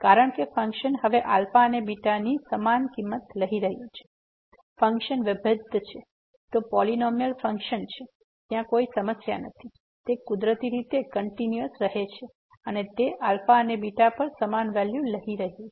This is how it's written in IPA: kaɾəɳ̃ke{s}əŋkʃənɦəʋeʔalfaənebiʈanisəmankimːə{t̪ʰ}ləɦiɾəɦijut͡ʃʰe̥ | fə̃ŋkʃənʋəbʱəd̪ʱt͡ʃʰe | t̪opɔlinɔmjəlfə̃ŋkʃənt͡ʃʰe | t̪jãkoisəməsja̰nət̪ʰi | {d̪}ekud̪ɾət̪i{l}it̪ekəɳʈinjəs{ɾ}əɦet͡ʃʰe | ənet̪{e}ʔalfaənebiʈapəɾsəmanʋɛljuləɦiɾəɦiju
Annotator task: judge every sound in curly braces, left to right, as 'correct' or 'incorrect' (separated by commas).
incorrect, incorrect, incorrect, incorrect, correct, correct